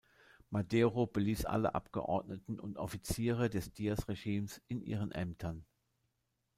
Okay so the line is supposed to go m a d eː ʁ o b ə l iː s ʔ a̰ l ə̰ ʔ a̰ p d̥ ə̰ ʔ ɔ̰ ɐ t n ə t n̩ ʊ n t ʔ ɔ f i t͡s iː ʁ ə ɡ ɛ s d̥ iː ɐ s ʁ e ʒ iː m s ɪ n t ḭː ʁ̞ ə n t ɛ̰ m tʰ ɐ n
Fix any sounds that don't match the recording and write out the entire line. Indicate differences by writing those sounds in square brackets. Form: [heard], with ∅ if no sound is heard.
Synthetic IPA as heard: m a d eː ʁ o b ə l iː s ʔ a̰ l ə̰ ʔ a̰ p [ɡ̥] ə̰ ʔ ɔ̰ ɐ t n ə t n̩ ʊ n t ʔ ɔ f i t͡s iː ʁ ə [d] ɛ s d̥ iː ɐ s ʁ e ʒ iː m s ɪ n [ʔ] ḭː ʁ̞ ə n [ʔ] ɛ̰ m tʰ ɐ n